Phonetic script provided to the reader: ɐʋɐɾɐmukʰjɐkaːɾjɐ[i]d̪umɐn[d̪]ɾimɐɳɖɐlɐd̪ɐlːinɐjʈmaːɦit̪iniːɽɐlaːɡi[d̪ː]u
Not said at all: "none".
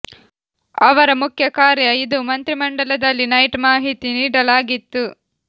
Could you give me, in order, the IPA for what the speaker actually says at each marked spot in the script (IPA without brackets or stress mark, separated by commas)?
i, t̪, t̪ː